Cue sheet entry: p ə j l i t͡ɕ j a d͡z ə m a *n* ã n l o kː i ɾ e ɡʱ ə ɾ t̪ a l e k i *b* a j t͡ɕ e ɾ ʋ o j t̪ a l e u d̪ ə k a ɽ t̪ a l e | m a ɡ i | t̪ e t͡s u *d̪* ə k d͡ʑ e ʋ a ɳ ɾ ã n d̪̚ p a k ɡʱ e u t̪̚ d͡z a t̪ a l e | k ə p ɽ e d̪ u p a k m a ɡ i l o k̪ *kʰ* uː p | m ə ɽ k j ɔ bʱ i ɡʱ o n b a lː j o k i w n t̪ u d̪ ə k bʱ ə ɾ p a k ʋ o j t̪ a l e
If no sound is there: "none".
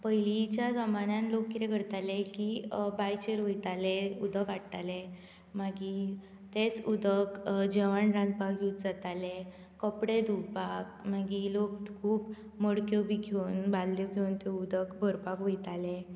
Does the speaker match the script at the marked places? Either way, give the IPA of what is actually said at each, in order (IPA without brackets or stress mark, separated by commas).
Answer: n, b, d̪, kʰ